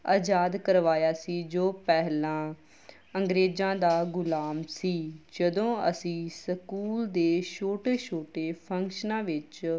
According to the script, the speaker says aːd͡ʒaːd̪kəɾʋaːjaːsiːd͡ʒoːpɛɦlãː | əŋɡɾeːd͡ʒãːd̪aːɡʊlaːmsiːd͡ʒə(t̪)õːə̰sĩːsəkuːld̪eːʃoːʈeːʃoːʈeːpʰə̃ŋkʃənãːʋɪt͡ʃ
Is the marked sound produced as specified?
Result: no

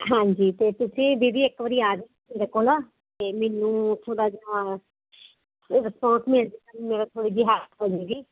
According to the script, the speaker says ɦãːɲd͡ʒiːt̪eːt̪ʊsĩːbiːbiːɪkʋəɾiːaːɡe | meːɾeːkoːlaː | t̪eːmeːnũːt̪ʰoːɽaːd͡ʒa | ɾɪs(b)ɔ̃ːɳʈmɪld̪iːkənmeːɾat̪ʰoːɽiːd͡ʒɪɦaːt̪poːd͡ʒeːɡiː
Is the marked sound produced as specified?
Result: no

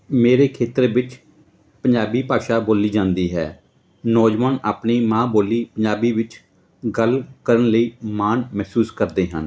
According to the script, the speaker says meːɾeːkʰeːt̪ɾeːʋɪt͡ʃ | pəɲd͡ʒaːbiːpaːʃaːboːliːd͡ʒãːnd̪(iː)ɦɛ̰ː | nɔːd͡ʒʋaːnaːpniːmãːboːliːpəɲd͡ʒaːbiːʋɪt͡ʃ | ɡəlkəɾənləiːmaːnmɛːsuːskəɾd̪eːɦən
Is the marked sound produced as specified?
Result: yes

